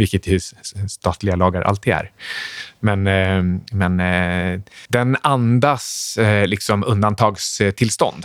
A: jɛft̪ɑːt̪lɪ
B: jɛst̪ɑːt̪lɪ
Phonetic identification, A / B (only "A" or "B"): B